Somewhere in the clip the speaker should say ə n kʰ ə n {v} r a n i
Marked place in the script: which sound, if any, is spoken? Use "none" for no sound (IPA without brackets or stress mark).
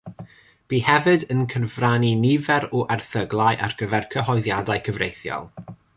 v